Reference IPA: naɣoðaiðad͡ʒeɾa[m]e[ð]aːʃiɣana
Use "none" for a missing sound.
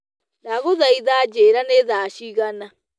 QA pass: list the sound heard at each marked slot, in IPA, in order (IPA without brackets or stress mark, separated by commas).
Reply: n, ð